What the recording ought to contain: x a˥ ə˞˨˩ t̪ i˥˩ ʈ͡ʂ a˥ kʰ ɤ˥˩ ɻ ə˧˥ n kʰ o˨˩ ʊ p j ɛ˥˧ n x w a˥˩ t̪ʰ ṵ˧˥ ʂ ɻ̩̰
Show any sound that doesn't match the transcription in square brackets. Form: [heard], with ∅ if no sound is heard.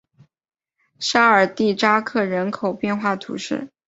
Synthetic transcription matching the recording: [ʂ] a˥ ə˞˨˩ t̪ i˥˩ ʈ͡ʂ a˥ kʰ ɤ˥˩ ɻ ə˧˥ n kʰ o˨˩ ʊ p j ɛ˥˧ n x w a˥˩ t̪ʰ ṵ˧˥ ʂ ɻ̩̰